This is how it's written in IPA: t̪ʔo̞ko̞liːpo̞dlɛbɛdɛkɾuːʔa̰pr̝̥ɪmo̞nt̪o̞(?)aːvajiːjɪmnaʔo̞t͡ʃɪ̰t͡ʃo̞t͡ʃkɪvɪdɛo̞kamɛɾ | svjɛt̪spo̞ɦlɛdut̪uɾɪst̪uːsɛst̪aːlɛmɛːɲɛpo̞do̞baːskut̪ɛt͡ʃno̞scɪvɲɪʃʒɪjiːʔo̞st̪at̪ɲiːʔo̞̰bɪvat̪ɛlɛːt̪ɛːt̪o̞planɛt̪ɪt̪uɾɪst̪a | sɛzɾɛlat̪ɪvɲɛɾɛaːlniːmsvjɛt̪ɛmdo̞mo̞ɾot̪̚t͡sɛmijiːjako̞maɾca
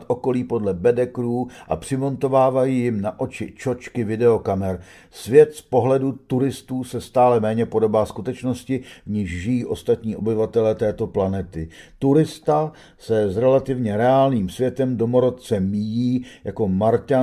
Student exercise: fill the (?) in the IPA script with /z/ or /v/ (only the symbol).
v